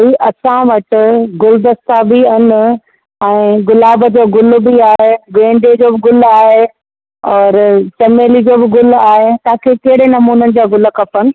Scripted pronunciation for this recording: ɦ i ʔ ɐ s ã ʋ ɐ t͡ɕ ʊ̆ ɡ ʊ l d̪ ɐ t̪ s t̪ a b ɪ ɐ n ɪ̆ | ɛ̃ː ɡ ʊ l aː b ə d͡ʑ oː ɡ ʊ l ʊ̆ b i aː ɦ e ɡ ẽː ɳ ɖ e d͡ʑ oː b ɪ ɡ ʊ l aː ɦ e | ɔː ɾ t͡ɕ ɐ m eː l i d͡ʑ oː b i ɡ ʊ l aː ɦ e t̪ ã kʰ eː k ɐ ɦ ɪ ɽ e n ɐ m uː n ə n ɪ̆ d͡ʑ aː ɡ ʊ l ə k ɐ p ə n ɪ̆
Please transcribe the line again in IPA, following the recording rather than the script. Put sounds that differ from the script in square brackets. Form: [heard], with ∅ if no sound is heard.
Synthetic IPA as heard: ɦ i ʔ ɐ s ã ʋ ɐ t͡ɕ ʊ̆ ɡ ʊ l d̪ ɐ [∅] s t̪ a b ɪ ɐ n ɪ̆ | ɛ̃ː ɡ ʊ l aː b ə d͡ʑ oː ɡ ʊ l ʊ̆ b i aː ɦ e ɡ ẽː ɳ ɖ e d͡ʑ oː b ɪ ɡ ʊ l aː ɦ e | ɔː ɾ t͡ɕ ɐ m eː l i d͡ʑ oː b [ɪ] ɡ ʊ l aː ɦ e t̪ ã kʰ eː k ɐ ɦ ɪ ɽ e n ɐ m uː n ə n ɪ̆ d͡ʑ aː ɡ ʊ l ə k ɐ p ə n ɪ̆